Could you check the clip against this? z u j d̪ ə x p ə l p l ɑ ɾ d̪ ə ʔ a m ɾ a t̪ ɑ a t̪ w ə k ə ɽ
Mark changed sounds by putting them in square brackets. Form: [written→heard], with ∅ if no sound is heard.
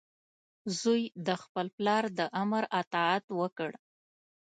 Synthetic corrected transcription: z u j d̪ ə x p ə l p l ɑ ɾ d̪ ə ʔ a m ɾ a t̪ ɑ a t̪ w ə k ə ɽ